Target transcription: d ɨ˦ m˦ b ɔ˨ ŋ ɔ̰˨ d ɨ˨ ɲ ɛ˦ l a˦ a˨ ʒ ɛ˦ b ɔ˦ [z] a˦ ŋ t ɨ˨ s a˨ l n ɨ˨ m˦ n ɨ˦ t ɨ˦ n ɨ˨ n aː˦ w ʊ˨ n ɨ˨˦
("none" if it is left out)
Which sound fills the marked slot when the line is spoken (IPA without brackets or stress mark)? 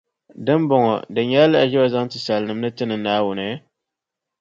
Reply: z